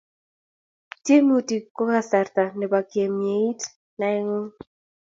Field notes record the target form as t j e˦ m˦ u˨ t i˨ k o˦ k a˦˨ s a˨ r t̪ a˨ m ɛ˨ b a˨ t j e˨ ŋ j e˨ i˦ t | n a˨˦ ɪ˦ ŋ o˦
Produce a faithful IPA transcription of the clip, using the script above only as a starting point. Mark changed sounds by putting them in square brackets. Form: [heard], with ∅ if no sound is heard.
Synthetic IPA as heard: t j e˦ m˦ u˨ t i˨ k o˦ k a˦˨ s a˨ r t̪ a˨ [n] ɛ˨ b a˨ [k] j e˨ [m] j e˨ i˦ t | n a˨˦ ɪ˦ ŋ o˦